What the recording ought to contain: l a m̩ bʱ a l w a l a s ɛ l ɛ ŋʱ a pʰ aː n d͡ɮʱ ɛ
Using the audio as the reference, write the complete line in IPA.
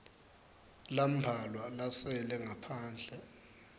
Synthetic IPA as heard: l a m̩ bʱ a l w a l a s ɛ l ɛ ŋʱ a pʰ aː n d͡ɮʱ ɛ